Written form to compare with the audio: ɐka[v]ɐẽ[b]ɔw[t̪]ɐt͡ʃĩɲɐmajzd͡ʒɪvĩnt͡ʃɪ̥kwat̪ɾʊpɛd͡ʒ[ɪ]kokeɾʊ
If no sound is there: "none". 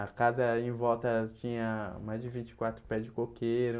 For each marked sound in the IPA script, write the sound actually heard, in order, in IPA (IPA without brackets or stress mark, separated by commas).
z, v, t̪, ɪ